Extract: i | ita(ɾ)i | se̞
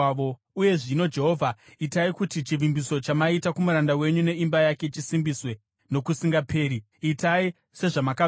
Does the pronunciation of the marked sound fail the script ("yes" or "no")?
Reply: yes